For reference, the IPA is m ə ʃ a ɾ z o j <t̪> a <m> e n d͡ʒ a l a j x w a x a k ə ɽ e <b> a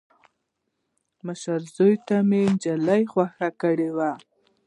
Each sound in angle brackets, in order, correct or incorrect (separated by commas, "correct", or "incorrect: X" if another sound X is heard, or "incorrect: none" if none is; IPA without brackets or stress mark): correct, correct, incorrect: w